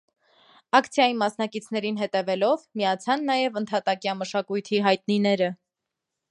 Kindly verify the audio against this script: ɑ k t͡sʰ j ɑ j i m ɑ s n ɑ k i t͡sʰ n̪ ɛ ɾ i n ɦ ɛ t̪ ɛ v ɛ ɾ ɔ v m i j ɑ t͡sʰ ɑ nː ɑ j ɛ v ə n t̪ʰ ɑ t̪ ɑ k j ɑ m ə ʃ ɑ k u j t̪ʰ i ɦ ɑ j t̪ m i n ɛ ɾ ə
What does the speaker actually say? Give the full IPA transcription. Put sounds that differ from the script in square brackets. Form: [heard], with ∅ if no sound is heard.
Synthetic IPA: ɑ k t͡sʰ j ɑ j i m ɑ s n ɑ k i t͡sʰ n̪ ɛ ɾ i n ɦ ɛ t̪ ɛ v ɛ [l] ɔ v m i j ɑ t͡sʰ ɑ nː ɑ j ɛ v ə n t̪ʰ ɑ t̪ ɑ k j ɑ m ə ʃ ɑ k u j t̪ʰ i ɦ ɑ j t̪ [n] i n ɛ ɾ ə

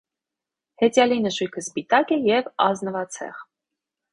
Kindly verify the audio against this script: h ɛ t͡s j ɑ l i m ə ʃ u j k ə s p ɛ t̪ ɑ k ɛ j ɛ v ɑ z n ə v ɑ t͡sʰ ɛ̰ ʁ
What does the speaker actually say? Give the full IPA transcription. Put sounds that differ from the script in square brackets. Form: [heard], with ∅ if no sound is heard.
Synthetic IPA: h ɛ t͡s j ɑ l i [n] ə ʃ u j [kʰ] ə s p [i] t̪ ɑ k ɛ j ɛ v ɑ z n ə v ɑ t͡sʰ ɛ̰ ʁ

